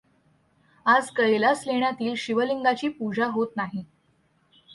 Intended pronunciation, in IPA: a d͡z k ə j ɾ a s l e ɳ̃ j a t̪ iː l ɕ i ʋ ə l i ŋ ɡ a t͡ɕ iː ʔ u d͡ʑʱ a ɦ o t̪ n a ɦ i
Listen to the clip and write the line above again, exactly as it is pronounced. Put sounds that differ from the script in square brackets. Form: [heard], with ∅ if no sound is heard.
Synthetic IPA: a d͡z k ə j [l] a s l e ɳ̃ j a t̪ iː l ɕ i ʋ ə l i ŋ ɡ a t͡ɕ iː [p] u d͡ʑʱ a ɦ o t̪ n a ɦ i